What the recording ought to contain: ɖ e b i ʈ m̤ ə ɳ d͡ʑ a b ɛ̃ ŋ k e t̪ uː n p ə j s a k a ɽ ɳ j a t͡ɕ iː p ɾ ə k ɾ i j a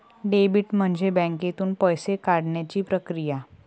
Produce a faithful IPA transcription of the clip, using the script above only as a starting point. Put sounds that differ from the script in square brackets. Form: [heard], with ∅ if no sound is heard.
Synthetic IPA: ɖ e b i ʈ m̤ ə ɳ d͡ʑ [e] b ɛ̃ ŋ k e t̪ uː n p ə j s [e] k a ɽ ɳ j a t͡ɕ iː p ɾ ə k ɾ i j a